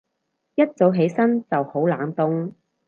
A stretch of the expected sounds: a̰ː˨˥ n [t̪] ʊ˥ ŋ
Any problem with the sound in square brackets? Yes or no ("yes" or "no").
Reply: no